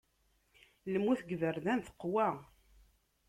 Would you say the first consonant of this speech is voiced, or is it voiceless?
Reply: voiced